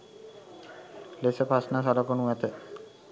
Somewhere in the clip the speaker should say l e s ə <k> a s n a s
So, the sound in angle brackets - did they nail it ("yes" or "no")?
no